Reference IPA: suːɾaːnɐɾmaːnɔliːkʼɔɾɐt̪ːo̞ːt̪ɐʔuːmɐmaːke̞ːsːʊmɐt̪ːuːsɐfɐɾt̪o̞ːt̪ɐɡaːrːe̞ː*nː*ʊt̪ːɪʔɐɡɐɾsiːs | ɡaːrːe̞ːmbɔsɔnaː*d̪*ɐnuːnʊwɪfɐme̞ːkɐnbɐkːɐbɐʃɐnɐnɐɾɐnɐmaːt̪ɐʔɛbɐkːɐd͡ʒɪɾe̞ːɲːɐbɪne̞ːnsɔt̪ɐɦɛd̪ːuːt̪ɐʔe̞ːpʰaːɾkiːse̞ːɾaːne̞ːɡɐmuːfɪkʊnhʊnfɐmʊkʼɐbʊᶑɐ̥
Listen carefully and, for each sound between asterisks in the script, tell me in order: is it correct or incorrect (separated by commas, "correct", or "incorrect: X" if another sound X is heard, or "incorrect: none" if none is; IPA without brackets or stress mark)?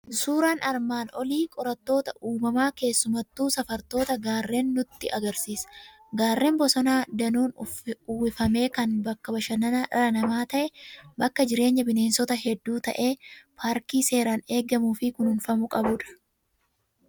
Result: correct, correct